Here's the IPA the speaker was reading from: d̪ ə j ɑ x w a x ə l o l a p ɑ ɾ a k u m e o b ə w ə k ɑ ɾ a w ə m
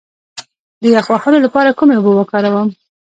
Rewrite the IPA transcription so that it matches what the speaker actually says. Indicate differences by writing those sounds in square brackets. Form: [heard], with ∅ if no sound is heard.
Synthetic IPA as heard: d̪ ə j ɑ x w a x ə l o l a p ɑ ɾ a k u m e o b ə w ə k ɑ ɾ a w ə m